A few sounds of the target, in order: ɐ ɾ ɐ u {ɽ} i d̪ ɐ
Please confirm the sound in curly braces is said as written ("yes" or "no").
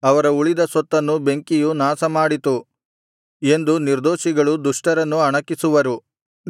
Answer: no